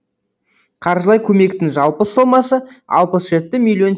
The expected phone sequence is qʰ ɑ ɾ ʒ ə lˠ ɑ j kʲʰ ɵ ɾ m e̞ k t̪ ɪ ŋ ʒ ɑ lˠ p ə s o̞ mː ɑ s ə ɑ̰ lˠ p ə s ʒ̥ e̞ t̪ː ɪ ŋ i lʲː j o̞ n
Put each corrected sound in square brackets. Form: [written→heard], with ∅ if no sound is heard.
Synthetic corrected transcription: qʰ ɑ ɾ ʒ ə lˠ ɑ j kʲʰ ɵ [ɾ→∅] m e̞ k t̪ ɪ ŋ ʒ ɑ lˠ p ə s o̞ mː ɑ s ə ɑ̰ lˠ p ə s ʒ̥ e̞ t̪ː ɪ [ŋ→m] i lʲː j o̞ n